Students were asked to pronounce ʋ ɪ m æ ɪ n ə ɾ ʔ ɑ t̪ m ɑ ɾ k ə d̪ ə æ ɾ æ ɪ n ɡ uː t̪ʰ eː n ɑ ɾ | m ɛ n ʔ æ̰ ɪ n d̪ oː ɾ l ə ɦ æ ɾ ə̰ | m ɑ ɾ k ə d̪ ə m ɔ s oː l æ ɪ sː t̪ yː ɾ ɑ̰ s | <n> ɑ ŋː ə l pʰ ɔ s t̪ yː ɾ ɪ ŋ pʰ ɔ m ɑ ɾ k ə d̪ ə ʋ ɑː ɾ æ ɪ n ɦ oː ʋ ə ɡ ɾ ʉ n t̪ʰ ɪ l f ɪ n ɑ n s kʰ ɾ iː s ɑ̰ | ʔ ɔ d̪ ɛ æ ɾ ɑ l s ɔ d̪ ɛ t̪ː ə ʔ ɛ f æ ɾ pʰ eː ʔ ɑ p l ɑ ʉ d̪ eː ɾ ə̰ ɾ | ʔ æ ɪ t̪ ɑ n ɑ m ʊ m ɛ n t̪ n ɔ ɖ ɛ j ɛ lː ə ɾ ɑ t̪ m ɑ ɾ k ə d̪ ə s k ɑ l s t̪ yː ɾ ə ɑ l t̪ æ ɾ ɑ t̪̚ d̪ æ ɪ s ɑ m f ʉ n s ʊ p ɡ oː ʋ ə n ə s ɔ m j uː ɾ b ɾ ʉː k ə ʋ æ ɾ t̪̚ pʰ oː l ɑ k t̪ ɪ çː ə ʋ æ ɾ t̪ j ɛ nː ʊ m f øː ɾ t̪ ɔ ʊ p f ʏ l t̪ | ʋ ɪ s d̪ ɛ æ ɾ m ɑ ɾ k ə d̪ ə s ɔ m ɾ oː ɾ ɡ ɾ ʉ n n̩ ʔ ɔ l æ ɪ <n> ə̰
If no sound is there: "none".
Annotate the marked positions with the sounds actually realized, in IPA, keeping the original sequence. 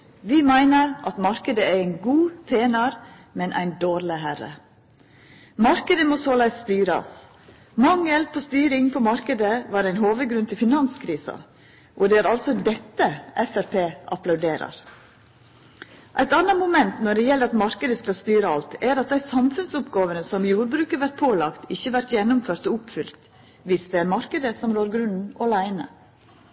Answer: m, n

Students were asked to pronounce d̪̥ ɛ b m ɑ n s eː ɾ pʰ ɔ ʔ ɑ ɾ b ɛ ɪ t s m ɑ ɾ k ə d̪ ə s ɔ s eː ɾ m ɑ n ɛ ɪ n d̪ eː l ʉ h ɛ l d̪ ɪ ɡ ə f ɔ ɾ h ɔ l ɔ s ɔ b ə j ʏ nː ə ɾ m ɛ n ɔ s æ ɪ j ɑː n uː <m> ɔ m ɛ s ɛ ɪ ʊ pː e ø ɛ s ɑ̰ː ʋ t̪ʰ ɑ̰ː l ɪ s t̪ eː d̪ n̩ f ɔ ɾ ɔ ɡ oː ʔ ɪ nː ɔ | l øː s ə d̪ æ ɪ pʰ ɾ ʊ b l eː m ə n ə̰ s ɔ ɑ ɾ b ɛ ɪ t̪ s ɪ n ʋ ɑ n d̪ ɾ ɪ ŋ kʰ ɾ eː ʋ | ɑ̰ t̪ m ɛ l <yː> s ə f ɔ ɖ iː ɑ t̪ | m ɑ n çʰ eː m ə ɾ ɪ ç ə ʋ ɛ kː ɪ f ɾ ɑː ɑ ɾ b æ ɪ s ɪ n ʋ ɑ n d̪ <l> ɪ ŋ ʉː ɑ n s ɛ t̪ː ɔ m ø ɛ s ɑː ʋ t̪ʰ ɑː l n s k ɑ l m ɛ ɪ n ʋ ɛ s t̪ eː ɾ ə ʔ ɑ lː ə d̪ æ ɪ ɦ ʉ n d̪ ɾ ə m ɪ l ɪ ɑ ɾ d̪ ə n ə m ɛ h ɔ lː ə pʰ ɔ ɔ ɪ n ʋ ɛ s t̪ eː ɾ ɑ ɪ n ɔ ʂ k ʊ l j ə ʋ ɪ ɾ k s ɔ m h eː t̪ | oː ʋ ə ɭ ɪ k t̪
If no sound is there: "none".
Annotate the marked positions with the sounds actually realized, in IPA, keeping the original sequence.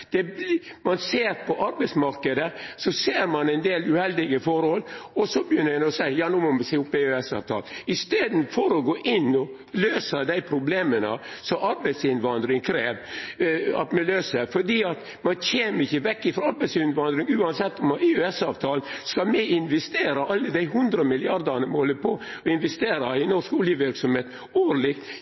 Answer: m, øː, ɾ

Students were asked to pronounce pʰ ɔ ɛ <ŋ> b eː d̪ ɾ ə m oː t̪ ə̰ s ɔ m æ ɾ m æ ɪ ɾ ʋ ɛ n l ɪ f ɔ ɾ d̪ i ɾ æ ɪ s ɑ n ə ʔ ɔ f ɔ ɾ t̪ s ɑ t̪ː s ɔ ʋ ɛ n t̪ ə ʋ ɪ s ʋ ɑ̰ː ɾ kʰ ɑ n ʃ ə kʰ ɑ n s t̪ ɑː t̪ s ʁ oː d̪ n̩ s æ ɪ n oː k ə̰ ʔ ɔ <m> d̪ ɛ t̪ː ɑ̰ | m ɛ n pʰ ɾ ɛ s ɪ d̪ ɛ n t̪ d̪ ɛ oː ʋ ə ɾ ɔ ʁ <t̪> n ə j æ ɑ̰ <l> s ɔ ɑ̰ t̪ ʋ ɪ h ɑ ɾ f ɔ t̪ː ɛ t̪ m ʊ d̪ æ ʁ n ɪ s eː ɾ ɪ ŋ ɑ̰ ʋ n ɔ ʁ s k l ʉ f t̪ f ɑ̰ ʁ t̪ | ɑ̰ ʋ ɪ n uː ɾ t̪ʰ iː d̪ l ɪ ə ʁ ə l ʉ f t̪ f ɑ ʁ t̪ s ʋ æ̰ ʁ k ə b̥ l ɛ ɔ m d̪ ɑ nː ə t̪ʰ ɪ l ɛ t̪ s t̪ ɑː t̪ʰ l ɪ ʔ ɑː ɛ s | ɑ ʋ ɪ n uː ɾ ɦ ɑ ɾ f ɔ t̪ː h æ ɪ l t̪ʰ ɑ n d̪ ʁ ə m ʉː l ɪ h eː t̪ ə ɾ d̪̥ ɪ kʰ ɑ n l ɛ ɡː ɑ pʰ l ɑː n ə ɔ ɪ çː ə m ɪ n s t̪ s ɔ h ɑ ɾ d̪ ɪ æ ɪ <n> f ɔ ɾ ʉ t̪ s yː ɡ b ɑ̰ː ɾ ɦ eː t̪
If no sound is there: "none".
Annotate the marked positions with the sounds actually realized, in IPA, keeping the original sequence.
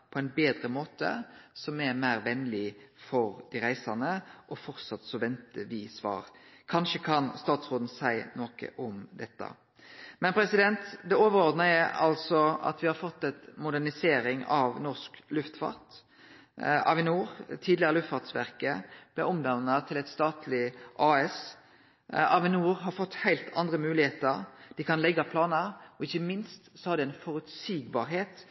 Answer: n, m, d̪, l, n

